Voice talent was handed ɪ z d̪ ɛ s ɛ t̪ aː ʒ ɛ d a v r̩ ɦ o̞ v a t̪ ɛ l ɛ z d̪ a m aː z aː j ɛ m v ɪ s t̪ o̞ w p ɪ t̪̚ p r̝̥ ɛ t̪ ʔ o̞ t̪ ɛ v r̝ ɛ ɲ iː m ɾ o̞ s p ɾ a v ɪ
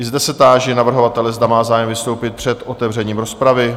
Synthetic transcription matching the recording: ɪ z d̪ ɛ s ɛ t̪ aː ʒ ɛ n a v r̩ ɦ o̞ v a t̪ ɛ l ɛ z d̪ a m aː z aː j ɛ m v ɪ s t̪ o̞ w p ɪ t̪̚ p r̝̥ ɛ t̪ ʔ o̞ t̪ ɛ v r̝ ɛ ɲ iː m ɾ o̞ s p ɾ a v ɪ